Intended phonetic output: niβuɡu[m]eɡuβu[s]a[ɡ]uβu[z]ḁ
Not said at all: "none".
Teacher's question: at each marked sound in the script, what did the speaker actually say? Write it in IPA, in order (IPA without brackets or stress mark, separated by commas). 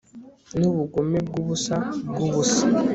m, s, ɡ, s